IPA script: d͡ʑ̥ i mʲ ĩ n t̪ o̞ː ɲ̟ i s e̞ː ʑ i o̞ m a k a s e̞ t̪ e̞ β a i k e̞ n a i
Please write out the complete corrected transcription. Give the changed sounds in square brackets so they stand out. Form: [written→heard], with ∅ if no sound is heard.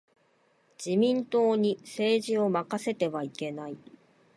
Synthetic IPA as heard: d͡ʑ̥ i mʲ ĩ n t̪ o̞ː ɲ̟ i s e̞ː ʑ i o̞ m a k a s e̞ t̪ e̞ β a i k e̞ n a i